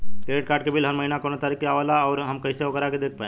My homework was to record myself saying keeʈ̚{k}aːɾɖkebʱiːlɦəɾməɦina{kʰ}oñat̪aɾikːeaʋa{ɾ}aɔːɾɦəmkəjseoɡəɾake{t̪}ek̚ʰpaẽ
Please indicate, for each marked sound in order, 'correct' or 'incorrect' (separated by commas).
correct, incorrect, incorrect, incorrect